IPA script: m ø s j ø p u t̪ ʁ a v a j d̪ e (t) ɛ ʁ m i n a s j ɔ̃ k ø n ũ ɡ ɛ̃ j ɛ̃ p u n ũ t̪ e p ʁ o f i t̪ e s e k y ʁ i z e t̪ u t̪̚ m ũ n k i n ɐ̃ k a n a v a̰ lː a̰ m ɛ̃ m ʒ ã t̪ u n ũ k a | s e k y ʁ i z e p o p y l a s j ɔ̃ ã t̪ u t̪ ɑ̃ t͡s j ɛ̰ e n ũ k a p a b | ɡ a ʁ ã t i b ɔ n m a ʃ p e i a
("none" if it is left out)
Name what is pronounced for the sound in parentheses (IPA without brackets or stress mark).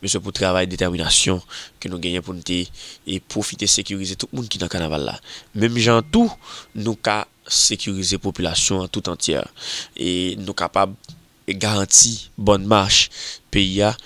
t